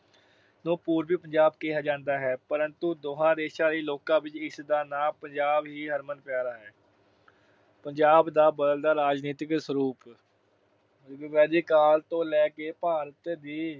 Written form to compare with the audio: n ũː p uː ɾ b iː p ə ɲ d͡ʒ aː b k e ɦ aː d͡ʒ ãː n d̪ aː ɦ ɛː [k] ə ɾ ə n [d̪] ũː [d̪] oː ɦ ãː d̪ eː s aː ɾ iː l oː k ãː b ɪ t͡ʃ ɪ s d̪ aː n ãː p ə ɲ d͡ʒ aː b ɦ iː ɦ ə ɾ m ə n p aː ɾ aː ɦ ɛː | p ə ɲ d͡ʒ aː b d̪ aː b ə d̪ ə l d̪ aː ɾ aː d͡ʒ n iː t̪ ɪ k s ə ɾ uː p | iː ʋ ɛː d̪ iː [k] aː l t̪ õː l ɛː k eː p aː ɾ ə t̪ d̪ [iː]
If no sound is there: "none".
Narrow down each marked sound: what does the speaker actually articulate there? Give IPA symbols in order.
p, t̪, d̪, k, iː

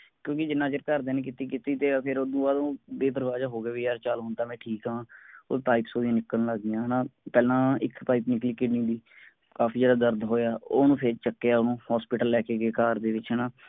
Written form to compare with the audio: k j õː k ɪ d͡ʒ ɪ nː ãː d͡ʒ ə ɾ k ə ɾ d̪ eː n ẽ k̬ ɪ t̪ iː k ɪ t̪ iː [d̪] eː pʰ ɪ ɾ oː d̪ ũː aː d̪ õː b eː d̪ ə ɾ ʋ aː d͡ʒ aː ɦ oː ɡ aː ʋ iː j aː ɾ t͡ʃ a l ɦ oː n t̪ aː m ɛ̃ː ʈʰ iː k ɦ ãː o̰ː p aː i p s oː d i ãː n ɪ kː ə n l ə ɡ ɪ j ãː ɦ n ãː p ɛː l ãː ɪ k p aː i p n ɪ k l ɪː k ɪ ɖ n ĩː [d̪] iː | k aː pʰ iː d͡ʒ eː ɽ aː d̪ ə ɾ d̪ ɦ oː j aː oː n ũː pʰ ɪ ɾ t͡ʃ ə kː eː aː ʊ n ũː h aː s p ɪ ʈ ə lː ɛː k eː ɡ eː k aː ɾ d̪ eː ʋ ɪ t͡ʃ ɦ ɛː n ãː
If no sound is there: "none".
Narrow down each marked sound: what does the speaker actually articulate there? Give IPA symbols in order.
t̪, d̪

